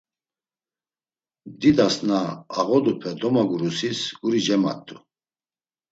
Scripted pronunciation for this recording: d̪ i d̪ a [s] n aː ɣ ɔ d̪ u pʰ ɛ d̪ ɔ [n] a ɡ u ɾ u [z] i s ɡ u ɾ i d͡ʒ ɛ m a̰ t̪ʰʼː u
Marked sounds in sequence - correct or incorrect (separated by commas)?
correct, incorrect, incorrect